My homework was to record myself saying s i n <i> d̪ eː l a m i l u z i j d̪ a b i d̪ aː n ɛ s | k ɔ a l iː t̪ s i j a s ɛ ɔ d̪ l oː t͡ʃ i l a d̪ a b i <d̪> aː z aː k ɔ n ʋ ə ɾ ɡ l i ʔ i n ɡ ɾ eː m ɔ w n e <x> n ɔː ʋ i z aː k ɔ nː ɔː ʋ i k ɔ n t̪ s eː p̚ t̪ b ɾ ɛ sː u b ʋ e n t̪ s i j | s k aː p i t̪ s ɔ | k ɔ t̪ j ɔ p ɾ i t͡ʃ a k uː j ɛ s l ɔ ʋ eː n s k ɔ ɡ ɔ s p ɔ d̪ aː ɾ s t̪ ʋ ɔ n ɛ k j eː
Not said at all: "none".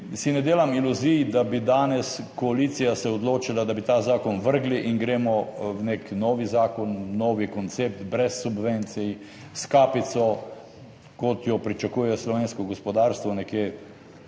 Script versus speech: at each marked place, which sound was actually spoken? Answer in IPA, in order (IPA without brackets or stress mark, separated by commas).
ɛ, t̪, k